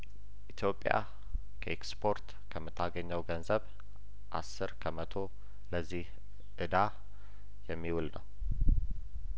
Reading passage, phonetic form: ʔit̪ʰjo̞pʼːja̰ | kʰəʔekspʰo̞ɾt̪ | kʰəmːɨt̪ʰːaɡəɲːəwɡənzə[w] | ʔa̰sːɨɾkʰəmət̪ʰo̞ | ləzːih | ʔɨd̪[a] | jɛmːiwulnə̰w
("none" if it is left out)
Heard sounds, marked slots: β, a

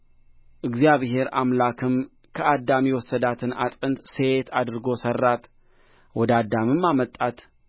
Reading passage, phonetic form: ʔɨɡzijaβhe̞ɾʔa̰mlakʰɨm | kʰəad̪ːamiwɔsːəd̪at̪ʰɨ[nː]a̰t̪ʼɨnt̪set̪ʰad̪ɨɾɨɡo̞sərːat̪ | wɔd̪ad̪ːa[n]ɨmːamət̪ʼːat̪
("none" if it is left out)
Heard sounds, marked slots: n, m

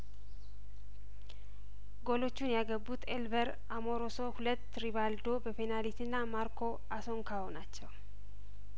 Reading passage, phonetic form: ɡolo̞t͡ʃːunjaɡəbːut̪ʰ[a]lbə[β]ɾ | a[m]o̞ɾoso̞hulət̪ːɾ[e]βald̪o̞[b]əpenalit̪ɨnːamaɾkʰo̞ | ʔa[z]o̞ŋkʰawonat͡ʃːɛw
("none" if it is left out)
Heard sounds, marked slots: e, none, m, i, b, s

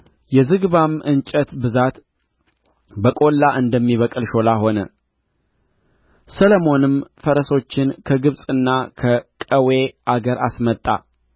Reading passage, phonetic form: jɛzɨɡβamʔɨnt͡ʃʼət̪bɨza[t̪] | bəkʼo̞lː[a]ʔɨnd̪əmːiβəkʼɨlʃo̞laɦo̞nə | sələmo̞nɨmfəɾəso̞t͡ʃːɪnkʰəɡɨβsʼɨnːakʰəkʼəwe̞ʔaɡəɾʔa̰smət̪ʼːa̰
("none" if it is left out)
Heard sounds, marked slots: t̪, a

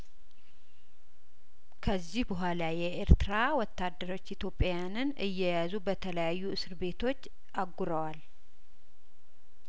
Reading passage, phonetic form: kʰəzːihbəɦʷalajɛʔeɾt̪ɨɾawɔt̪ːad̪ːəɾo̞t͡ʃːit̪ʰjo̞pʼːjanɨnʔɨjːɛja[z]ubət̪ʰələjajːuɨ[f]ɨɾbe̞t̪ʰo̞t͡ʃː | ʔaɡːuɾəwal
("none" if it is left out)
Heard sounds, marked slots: z, s

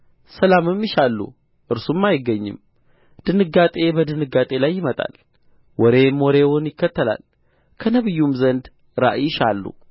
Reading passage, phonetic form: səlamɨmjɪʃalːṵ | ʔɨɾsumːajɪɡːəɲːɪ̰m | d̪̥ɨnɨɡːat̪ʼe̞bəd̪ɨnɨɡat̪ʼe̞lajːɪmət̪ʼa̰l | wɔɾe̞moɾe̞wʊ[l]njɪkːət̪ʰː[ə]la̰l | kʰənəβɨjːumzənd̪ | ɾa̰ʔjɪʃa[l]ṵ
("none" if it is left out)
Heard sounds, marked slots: none, ə, lː

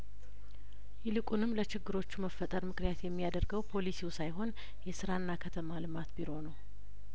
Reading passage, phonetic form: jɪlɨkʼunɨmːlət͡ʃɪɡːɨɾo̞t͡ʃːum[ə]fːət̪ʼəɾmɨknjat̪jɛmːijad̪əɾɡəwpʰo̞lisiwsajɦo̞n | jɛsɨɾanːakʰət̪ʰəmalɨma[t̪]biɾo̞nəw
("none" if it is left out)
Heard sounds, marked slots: ə, t̪

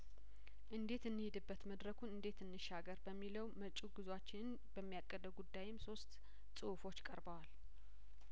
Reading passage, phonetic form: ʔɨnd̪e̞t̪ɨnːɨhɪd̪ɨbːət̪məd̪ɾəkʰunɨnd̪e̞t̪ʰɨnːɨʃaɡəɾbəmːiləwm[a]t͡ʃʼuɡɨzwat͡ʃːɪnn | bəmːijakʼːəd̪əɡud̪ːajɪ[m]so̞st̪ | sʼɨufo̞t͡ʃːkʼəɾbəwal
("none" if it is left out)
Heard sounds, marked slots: ə, m

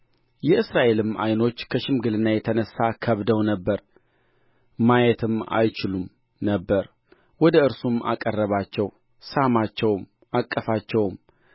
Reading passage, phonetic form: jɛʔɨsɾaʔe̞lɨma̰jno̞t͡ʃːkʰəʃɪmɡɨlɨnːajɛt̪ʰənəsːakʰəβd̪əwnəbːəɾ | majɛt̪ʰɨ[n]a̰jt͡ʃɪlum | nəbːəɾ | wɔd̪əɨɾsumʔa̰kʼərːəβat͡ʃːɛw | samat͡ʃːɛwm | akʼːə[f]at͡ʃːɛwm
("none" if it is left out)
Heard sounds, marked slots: m, f

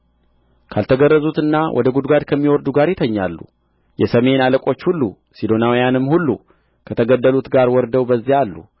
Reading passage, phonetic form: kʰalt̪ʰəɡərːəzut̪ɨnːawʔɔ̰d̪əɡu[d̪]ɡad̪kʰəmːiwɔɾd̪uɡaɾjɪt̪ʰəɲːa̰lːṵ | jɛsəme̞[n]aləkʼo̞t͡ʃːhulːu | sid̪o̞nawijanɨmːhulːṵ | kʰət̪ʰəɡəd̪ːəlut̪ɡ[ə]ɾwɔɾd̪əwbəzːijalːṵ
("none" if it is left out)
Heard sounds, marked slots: d̪, n, a

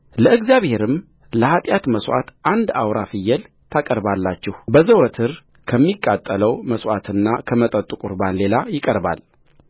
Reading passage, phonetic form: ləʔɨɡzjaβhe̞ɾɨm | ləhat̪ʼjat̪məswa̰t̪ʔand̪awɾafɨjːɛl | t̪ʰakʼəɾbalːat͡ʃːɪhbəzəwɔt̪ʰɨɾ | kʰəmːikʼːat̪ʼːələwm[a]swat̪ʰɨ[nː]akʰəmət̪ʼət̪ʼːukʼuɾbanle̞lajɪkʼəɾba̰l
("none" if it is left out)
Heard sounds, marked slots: ə, nː

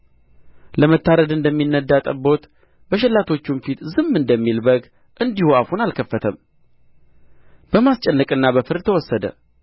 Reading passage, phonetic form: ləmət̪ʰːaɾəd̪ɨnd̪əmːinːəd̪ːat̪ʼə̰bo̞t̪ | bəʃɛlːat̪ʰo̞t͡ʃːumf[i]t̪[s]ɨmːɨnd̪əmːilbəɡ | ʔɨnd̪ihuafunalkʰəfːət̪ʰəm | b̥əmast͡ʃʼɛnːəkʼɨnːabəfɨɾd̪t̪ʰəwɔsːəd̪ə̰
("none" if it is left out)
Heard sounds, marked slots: i, z

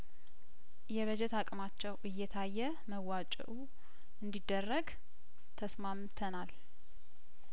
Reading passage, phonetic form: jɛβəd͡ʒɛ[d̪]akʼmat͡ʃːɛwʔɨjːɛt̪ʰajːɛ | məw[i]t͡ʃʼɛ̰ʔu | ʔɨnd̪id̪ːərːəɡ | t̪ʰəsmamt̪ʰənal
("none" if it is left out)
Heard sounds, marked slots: t̪, a

